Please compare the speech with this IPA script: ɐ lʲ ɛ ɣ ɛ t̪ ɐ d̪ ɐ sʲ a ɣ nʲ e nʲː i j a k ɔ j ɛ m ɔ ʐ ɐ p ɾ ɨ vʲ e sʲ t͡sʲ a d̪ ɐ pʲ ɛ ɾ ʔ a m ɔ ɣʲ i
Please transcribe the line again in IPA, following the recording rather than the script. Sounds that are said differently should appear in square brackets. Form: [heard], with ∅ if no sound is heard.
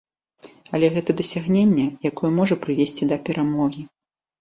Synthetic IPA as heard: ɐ lʲ ɛ ɣ ɛ t̪ ɐ d̪ ɐ sʲ a ɣ nʲ e nʲː [ɛ] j a k ɔ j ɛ m ɔ ʐ ɐ p ɾ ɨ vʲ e sʲ t͡sʲ [i] d̪ ɐ pʲ ɛ ɾ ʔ a m ɔ ɣʲ i